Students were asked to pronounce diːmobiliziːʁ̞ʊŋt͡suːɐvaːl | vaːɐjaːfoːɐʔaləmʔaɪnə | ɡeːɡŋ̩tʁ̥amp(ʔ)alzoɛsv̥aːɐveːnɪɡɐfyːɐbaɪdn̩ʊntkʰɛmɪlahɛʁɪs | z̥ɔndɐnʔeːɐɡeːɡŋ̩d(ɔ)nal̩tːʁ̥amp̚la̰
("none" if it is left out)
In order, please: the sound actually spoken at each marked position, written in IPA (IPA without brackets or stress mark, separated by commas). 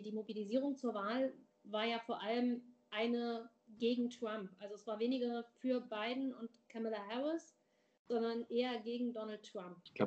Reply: ʔ, ɔ